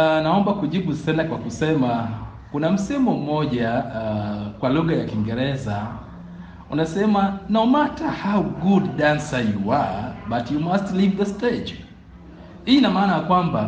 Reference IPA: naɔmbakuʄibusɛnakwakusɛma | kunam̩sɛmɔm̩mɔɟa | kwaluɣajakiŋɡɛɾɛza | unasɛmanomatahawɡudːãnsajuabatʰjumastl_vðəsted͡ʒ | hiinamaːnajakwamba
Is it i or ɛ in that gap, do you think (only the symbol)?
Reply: i